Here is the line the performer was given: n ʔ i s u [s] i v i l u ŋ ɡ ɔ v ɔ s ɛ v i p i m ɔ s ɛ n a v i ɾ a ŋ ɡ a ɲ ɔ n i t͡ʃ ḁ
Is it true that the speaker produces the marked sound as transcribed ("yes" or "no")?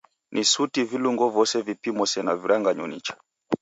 no